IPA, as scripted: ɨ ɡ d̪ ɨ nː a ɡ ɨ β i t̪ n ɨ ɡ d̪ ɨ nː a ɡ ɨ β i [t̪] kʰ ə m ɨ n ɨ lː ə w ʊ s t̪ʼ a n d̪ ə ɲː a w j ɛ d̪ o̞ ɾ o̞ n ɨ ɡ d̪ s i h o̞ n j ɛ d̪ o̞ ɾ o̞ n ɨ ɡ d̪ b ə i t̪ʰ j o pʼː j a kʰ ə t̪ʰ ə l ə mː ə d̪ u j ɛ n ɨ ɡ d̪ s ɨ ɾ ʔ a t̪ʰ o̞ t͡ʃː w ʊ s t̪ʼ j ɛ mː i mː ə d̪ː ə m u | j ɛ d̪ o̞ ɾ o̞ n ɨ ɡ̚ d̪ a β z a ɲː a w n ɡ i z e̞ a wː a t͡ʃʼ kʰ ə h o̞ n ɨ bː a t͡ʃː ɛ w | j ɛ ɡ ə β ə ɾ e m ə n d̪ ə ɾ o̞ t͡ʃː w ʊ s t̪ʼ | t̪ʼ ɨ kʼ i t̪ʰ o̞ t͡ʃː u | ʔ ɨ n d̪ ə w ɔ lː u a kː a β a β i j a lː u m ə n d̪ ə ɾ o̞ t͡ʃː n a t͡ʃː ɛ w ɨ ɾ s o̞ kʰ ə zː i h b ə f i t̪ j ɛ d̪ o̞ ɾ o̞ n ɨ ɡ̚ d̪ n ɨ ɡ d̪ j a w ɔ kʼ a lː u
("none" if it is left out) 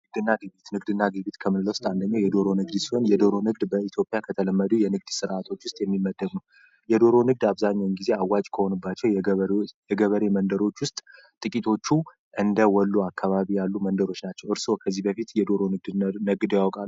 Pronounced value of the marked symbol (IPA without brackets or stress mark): t̪